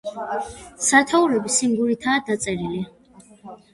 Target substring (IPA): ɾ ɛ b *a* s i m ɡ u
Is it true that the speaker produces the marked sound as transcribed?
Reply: no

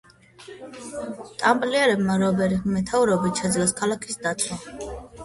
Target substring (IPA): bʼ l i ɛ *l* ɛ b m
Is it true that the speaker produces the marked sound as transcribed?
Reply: no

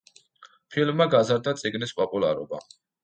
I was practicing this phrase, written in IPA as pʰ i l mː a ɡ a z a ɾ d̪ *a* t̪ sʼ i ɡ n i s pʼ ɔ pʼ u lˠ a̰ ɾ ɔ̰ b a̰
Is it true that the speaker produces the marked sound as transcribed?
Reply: yes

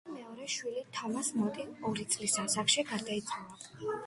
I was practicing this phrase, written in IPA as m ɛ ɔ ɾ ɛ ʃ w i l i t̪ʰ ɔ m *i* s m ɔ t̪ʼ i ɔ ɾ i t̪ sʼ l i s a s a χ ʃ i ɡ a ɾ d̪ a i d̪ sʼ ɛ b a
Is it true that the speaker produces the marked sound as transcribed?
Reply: no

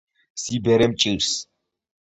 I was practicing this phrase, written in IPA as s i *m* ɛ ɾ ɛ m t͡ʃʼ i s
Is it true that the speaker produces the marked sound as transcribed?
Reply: no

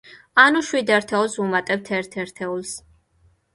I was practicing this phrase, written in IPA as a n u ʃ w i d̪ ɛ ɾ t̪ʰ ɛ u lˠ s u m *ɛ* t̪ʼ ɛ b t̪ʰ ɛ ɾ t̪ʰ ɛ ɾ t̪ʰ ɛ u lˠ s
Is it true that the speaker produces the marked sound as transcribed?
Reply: no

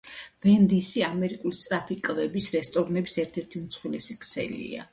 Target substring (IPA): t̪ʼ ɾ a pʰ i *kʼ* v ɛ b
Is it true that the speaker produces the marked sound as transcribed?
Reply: yes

